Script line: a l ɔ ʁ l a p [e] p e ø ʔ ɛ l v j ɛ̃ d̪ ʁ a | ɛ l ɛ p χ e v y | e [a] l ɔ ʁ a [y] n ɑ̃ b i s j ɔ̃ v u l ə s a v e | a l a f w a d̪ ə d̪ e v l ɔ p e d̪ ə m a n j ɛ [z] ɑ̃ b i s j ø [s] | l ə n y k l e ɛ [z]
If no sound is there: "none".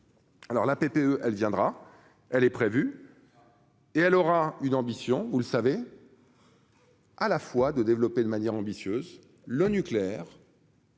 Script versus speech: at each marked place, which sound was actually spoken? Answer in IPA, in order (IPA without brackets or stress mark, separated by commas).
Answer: e, ɛ, y, ʁ, z, ʁ